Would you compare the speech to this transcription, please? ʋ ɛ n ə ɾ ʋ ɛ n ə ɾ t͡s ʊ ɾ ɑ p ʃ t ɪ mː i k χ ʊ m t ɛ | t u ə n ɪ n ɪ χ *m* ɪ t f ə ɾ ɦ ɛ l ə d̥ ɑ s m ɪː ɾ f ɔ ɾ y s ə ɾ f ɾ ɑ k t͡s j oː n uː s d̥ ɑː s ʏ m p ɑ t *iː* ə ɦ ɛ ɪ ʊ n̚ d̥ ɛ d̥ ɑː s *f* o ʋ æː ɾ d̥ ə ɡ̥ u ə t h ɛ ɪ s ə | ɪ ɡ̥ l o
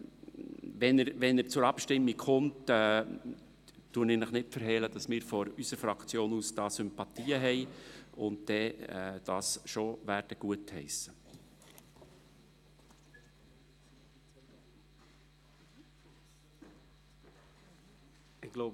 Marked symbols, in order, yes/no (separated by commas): no, yes, no